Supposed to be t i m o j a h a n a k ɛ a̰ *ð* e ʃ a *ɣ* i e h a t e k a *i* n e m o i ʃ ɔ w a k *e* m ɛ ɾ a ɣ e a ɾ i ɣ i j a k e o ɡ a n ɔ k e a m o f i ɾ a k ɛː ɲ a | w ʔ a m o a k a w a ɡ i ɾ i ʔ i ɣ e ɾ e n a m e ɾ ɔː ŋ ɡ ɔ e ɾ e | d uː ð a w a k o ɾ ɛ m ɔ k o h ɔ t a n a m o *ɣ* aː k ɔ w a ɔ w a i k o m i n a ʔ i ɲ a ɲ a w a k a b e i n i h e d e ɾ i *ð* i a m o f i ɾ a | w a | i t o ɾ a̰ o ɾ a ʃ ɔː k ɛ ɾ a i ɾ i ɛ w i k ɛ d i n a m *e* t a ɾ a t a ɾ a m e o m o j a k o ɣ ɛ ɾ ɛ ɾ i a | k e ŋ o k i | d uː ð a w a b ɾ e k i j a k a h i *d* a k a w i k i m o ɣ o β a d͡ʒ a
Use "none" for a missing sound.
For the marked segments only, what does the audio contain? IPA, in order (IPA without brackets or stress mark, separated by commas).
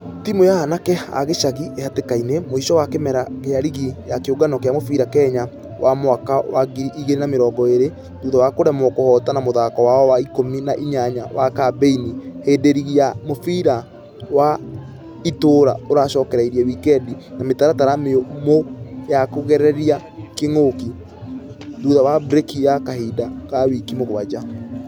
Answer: ɣ, ɣ, i, e, ð, ɣ, e, d